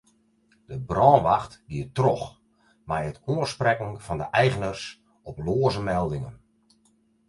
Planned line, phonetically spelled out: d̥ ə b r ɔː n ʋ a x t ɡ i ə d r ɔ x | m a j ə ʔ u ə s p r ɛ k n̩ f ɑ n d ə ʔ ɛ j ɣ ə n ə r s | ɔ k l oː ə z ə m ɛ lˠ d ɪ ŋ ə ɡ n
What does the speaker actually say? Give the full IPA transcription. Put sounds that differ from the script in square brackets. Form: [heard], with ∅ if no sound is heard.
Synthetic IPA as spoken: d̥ ə b r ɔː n ʋ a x t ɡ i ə [t] r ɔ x | m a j ə [t] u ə s p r ɛ k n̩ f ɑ n d ə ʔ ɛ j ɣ ə n ə r s | ɔ [p] l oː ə z ə m ɛ lˠ d ɪ ŋ ə [∅] n